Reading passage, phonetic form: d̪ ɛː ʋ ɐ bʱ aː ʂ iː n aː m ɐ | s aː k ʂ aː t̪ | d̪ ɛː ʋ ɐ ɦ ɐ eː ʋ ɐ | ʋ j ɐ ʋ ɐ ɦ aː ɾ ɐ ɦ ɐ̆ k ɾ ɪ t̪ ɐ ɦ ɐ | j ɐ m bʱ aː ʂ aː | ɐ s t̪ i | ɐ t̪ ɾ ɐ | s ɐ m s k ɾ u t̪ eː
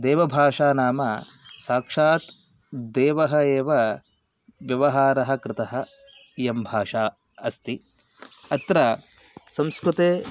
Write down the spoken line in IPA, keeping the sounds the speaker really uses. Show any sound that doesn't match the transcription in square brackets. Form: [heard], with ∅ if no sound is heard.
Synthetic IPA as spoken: d̪ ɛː ʋ ɐ bʱ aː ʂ [aː] n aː m ɐ | s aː k ʂ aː t̪ | d̪ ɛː ʋ ɐ ɦ ɐ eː ʋ ɐ | ʋ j ɐ ʋ ɐ ɦ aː ɾ ɐ ɦ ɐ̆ k ɾ ɪ t̪ ɐ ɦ ɐ | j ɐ m bʱ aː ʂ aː | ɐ s t̪ i | ɐ t̪ ɾ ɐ | s ɐ m s k ɾ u t̪ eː